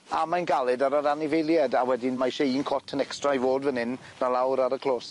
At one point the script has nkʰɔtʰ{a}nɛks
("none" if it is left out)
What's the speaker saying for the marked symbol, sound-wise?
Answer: ə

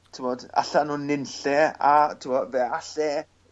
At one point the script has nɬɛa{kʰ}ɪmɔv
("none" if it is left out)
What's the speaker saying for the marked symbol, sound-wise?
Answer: tʰ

